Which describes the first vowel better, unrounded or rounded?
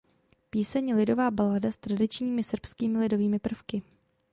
unrounded